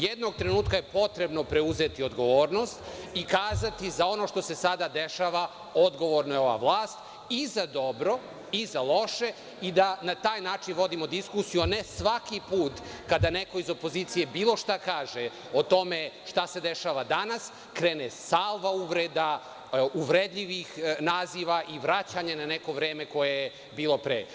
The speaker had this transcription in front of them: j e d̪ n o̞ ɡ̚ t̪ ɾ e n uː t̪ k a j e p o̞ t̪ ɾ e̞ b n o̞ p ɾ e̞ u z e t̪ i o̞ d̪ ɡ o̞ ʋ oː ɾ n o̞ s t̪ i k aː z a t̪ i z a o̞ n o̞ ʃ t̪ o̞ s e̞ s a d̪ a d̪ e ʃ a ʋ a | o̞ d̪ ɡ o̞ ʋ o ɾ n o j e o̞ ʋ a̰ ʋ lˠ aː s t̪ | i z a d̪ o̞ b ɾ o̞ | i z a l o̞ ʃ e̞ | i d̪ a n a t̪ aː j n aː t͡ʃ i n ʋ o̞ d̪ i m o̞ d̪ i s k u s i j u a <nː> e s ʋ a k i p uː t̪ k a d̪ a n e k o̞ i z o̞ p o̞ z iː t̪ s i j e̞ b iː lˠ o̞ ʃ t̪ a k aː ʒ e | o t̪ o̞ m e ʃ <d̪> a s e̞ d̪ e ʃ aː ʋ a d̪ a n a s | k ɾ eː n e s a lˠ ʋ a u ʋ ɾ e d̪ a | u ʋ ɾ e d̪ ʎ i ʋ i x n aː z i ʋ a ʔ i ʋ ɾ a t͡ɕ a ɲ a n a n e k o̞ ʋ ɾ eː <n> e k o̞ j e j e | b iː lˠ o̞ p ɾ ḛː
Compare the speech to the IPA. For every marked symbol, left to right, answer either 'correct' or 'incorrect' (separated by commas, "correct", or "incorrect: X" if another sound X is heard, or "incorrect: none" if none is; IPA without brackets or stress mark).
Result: incorrect: n, incorrect: t̪, incorrect: m